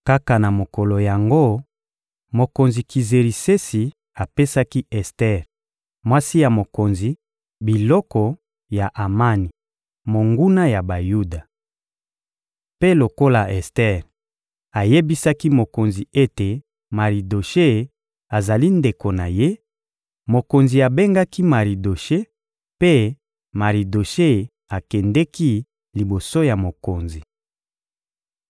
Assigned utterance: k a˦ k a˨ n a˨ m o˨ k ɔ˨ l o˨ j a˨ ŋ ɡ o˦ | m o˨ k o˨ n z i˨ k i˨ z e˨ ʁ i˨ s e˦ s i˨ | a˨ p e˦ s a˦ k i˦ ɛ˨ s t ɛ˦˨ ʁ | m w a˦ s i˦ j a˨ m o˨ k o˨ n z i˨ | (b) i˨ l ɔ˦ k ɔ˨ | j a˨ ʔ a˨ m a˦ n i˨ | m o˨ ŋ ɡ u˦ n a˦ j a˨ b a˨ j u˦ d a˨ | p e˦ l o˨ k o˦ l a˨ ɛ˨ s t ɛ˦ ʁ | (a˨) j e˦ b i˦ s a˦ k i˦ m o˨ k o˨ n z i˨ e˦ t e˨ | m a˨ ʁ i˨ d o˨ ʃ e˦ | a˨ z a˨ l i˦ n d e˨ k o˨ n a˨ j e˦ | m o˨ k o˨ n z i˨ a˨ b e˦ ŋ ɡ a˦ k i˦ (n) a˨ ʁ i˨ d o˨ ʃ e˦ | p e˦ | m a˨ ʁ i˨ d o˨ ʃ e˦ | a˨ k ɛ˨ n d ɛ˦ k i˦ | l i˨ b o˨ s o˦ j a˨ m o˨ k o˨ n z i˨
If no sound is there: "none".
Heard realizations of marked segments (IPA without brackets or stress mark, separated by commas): b, a˨, m